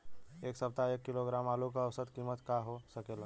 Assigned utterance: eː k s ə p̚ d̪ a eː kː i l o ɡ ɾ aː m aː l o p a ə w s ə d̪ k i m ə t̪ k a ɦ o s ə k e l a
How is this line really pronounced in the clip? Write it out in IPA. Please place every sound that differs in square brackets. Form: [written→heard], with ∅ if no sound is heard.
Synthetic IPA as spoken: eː k s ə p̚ [d̪→t̪] a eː kː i l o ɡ ɾ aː m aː l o [p→k] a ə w s ə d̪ k i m ə t̪ k a ɦ o s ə k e l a